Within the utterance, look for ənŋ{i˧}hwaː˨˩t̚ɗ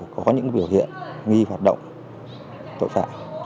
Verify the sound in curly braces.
correct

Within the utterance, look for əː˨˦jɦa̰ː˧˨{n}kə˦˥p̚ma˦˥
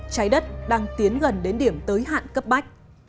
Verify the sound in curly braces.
correct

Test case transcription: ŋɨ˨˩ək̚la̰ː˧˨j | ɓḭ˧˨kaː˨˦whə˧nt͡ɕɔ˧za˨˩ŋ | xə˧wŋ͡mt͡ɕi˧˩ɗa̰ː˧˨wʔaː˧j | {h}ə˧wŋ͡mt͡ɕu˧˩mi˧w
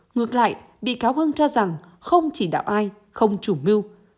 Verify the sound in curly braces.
incorrect: x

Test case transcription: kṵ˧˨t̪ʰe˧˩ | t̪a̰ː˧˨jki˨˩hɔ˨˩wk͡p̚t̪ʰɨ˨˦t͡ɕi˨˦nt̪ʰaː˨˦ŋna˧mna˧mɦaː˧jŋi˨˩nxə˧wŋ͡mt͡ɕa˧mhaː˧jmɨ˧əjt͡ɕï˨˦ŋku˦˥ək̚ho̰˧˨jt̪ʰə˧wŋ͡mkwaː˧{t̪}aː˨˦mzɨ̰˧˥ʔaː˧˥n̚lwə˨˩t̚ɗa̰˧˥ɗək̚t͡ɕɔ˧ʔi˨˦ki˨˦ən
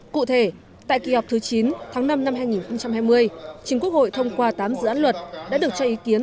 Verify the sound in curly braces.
correct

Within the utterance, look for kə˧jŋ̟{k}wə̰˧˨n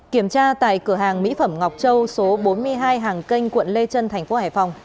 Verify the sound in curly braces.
correct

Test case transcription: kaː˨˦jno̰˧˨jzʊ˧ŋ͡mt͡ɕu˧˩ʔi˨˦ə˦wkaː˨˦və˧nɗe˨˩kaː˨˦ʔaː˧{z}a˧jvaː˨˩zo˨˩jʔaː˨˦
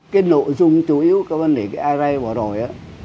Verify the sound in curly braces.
correct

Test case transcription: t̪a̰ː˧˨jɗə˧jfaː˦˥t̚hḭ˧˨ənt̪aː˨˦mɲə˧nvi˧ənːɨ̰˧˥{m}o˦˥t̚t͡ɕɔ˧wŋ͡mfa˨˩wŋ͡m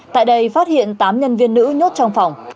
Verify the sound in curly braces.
incorrect: ɲ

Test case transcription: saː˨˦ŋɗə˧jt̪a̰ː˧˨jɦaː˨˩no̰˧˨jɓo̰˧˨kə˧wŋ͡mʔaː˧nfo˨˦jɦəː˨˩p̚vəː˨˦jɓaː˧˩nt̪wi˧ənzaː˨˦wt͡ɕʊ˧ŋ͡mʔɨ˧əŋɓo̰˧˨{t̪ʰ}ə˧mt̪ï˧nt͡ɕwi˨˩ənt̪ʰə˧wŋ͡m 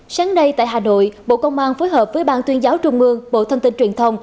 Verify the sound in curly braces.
correct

